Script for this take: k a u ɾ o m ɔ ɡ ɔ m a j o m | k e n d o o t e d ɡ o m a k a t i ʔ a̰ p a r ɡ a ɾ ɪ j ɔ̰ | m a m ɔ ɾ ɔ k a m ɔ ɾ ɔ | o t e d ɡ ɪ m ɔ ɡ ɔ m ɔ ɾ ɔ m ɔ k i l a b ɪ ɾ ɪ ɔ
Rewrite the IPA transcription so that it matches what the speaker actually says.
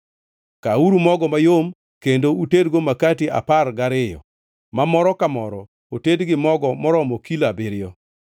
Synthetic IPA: k a u ɾ u m ɔ ɡ ɔ m a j o m | k e n d o u t e d ɡ o m a k a t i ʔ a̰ p a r ɡ a ɾ ɪ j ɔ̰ | m a m ɔ ɾ ɔ k a m ɔ ɾ ɔ | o t e d ɡ ɪ m ɔ ɡ ɔ m ɔ ɾ ɔ m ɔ k i l a b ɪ ɾ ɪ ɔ